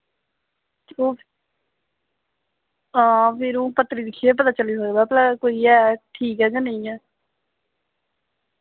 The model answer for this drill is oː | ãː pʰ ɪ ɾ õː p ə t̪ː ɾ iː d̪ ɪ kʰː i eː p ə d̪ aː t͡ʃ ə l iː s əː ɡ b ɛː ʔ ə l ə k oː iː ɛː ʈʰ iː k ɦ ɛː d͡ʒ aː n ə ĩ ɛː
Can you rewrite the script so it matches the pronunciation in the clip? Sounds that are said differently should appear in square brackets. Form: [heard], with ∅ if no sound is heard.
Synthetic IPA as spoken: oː | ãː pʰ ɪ ɾ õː p ə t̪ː ɾ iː d̪ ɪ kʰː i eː p ə [t̪] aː t͡ʃ ə l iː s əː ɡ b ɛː [p] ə l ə k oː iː ɛː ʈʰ iː k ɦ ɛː d͡ʒ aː n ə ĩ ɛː